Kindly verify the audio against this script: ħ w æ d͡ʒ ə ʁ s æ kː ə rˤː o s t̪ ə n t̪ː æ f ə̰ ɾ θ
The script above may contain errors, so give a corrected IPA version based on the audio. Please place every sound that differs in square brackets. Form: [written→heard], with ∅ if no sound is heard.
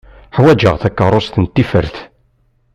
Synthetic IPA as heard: ħ w æ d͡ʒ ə ʁ [s→θ] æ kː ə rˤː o s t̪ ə n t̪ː [æ→i] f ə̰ ɾ θ